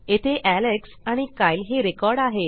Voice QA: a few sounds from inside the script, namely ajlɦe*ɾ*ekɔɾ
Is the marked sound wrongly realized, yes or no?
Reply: no